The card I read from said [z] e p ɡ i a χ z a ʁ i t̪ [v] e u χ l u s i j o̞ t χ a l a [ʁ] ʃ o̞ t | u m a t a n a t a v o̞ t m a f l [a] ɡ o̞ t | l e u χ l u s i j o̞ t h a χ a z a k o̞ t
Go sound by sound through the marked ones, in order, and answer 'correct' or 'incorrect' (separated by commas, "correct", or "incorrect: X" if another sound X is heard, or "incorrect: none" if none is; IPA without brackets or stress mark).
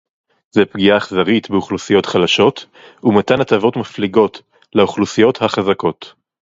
correct, incorrect: b, incorrect: none, incorrect: i